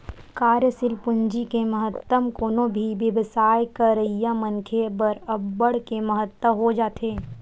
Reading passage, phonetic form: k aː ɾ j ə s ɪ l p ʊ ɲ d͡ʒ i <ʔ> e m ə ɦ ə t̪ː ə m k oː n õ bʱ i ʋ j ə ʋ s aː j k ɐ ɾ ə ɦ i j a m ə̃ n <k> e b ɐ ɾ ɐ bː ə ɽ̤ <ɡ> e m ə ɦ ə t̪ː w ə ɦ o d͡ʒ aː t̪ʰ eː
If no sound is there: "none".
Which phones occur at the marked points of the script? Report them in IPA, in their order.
k, kʰ, k

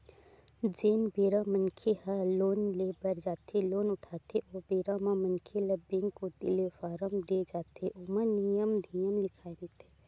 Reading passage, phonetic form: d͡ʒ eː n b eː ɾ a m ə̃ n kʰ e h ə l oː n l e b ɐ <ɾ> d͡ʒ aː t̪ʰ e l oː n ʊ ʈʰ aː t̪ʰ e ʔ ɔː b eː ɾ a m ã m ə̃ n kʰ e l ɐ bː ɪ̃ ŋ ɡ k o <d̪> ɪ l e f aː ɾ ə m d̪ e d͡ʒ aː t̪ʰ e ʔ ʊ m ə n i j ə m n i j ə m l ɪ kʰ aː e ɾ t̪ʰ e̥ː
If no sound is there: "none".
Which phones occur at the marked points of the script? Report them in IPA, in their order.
ɾ, d̪

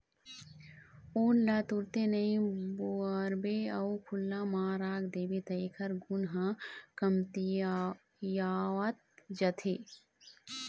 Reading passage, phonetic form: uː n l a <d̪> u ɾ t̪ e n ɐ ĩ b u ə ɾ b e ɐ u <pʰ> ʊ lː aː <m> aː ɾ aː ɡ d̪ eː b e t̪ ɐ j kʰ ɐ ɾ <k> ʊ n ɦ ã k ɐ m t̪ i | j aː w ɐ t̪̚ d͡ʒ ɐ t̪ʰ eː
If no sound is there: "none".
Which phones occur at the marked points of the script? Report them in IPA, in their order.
t̪, kʰ, m, ɡ

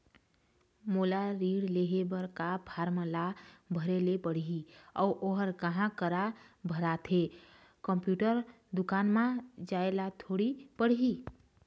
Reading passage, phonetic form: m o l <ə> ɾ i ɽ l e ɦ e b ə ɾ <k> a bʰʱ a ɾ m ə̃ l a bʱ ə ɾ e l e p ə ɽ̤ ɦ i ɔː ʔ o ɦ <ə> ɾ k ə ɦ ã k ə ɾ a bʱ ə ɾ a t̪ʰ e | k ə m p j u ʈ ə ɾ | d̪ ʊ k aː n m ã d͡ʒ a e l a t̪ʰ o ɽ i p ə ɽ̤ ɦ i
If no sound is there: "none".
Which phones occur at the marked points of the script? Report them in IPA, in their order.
a, k, ə

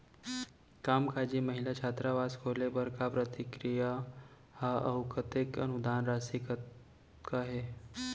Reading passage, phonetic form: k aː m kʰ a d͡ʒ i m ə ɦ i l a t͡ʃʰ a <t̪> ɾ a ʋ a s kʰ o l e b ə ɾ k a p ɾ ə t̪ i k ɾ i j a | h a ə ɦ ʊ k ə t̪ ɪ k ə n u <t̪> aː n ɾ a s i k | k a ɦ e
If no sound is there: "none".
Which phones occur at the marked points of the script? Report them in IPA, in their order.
t̪, d̪

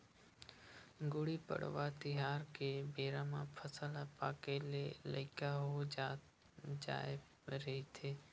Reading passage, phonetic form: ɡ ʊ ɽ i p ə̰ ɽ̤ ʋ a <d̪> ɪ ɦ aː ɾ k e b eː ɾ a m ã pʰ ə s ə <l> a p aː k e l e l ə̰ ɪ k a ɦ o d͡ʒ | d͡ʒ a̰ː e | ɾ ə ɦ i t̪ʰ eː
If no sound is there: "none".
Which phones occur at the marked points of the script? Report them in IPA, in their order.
t̪, l

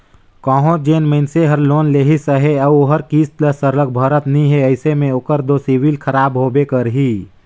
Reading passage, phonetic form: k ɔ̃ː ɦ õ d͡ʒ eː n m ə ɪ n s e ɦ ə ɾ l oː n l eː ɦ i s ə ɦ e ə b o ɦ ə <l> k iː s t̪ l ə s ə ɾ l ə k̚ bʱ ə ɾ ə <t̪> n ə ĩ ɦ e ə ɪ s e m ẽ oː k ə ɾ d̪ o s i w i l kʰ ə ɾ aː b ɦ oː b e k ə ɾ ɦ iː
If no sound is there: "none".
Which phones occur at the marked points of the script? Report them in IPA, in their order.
ɾ, t̪

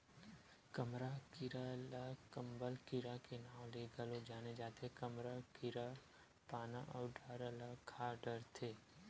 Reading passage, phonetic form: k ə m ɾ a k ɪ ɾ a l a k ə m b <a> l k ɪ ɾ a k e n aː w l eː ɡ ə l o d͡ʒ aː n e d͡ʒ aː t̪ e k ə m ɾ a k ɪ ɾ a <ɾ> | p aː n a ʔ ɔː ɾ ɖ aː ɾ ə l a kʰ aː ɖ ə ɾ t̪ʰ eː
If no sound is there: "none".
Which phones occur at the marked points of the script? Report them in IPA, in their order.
ə, none

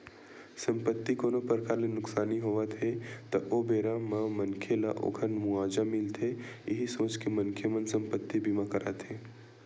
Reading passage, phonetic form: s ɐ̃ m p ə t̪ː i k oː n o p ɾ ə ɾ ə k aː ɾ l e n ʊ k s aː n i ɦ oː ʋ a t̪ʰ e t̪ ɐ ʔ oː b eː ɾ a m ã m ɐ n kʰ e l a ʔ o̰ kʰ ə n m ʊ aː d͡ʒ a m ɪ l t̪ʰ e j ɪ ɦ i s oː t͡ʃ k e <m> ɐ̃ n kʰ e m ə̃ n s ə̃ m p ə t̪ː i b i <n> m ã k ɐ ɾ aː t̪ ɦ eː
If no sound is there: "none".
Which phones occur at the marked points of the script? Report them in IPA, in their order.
m, none

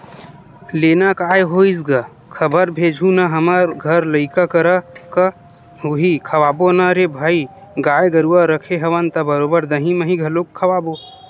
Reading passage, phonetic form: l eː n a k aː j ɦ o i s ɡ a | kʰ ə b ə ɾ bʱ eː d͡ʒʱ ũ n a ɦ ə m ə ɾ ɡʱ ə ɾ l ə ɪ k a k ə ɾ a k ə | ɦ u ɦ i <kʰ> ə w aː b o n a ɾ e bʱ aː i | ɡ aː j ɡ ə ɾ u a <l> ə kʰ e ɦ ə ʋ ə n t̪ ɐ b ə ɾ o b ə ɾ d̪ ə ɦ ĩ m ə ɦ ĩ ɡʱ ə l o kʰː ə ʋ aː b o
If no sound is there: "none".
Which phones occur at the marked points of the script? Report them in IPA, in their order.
kʰ, ɾ

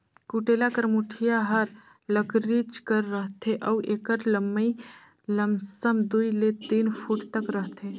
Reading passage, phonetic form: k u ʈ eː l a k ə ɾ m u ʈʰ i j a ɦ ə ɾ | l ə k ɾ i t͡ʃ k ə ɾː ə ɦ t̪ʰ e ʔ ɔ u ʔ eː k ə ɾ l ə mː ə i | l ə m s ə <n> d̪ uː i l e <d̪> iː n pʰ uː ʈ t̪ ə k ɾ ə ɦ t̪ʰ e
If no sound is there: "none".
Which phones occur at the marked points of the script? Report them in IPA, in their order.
m, t̪

